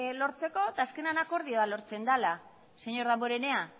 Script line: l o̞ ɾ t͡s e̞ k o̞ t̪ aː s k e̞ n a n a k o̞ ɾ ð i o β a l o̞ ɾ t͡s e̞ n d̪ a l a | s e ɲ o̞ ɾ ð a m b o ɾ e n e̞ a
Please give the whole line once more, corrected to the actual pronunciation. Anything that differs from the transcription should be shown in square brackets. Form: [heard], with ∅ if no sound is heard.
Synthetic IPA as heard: l o̞ ɾ t͡s e̞ k o̞ t̪ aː s k e̞ n a n a k o̞ ɾ ð i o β a l o̞ ɾ t͡s e̞ n d̪ a l a | s e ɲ o̞ ɾ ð a m b o ɾ e n e̞ a